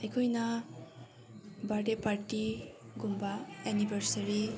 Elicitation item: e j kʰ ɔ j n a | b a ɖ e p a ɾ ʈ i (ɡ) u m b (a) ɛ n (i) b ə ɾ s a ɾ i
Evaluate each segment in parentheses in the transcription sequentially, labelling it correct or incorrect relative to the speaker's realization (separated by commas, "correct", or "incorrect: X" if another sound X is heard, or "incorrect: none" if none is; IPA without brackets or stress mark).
correct, correct, correct